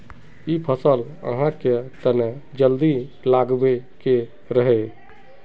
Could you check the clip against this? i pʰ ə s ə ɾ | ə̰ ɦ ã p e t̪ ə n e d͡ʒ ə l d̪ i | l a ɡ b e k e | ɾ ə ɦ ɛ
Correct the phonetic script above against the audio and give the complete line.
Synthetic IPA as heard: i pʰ ə s ə l | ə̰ ɦ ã k e t̪ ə n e d͡ʒ ə l d̪ i | l a ɡ b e k e | ɾ ə ɦ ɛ